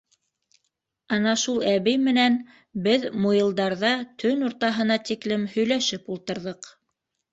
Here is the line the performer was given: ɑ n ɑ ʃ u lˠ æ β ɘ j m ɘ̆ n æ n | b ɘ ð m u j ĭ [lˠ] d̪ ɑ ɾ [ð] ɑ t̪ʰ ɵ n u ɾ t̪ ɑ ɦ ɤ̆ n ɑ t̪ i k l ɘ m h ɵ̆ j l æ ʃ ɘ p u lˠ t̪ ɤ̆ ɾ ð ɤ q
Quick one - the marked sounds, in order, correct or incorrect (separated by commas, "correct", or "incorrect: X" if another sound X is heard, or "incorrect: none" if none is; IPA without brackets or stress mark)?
correct, correct